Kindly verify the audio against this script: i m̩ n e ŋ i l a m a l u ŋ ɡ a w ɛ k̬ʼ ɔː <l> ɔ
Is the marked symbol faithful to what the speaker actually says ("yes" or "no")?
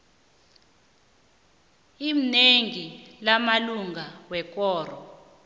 no